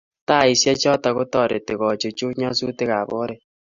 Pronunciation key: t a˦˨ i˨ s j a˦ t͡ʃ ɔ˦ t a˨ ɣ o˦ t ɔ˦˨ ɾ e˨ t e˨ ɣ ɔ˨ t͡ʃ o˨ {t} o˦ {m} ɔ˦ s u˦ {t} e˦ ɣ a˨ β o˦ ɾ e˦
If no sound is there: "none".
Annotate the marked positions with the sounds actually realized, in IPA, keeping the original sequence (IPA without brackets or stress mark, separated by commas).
t͡ʃ, ɲ, t